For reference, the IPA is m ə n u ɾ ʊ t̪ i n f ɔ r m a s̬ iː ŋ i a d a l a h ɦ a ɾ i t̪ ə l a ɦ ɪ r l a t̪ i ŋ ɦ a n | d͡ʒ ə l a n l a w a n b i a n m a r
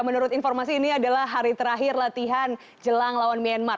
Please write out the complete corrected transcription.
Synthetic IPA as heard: m ə n u ɾ ʊ t̪ i n f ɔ r m a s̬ iː n i a d a l a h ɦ a ɾ i t̪ ə ɾ a ɦ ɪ r l a t̪ i ɦ a n | d͡ʒ ə l a ŋ l a w a n m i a n m a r